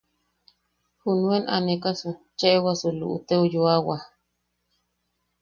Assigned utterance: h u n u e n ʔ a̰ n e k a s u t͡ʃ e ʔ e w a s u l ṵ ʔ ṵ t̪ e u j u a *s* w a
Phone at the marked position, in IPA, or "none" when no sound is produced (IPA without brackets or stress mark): none